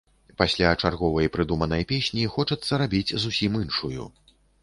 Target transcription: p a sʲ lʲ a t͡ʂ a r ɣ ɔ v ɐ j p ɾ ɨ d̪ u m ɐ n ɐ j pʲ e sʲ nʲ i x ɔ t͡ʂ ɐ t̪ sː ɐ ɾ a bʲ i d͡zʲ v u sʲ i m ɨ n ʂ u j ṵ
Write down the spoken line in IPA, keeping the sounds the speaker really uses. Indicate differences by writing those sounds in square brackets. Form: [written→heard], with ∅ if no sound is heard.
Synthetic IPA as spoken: p a sʲ lʲ a t͡ʂ a r ɣ ɔ v ɐ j p ɾ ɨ d̪ u m ɐ n ɐ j pʲ e sʲ nʲ i x ɔ t͡ʂ ɐ t̪ sː ɐ ɾ a bʲ i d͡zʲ [v→z] u sʲ i m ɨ n ʂ u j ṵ